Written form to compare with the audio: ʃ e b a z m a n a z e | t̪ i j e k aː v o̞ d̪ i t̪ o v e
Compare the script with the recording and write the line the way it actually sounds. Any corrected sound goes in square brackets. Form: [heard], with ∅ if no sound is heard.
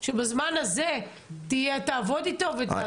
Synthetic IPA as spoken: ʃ e b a z m a n a z e | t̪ i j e [t] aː v o̞ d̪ i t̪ o v e